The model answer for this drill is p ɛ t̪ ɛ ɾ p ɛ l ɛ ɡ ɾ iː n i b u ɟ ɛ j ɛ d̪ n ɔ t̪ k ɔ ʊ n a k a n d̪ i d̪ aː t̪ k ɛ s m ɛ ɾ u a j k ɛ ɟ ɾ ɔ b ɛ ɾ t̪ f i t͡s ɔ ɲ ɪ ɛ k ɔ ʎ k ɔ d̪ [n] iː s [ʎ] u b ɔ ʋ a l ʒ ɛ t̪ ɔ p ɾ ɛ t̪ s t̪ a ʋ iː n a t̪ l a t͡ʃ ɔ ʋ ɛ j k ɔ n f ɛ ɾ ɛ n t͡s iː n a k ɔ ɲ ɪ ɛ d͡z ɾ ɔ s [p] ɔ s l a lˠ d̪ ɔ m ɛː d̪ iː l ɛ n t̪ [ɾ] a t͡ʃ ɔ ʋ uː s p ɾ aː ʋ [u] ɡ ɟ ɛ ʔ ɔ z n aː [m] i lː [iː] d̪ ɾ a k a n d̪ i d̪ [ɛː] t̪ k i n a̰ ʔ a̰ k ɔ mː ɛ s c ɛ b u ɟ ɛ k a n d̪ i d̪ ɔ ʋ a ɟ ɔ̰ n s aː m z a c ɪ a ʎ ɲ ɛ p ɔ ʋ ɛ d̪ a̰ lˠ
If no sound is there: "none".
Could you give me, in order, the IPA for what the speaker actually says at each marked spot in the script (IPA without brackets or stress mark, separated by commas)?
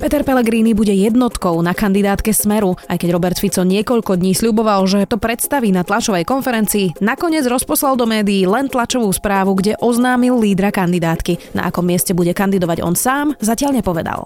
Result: ɲ, ʎ, p, l, u, m, iː, aː